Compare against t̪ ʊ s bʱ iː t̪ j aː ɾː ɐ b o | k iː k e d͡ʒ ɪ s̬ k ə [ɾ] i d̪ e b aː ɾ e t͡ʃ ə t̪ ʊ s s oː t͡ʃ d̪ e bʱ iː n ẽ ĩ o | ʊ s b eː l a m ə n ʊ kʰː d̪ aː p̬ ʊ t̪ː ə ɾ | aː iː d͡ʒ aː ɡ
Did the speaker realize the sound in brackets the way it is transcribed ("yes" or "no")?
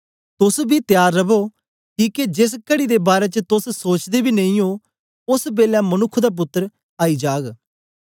no